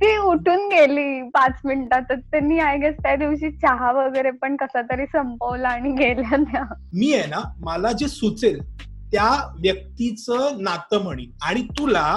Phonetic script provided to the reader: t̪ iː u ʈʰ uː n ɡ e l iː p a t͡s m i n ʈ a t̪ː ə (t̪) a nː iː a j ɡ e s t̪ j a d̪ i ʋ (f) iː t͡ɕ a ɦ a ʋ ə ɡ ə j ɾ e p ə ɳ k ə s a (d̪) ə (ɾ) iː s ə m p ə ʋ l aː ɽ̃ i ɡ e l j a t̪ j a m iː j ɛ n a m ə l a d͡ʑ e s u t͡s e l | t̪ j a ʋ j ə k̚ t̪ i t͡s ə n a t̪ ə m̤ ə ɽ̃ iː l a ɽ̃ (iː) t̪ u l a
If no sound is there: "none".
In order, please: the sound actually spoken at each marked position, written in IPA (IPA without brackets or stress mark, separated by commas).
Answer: t̪, ɕ, t̪, ɾ, i